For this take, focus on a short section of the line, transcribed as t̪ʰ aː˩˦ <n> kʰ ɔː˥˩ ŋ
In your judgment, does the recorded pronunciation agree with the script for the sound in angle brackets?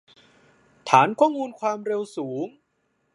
yes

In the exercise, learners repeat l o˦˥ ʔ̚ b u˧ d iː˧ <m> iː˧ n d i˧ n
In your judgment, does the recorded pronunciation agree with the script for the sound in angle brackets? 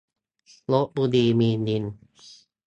yes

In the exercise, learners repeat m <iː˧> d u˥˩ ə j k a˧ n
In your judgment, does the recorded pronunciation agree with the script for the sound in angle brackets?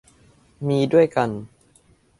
yes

